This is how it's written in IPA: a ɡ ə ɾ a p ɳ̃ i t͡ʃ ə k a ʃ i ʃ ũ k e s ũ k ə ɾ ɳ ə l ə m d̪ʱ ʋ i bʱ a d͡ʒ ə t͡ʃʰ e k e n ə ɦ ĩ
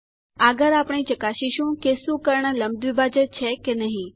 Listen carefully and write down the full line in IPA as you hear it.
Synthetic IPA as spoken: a ɡ ə ɾ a p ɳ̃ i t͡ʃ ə k a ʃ i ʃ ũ k e s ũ k ə ɾ ɳ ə l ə m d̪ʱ ʋ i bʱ a d͡ʒ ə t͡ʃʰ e k e n ə ɦ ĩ